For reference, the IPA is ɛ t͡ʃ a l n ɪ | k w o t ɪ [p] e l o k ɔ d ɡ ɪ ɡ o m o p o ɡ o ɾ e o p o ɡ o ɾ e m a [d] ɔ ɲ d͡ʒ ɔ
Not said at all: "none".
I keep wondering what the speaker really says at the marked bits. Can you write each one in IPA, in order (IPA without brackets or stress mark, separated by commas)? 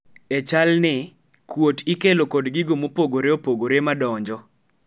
k, d